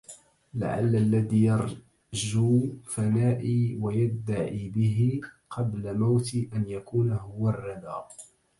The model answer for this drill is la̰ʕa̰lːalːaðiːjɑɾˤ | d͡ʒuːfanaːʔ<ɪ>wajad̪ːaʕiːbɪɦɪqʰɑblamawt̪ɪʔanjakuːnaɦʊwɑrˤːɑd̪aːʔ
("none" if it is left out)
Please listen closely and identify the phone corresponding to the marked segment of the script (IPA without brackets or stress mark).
i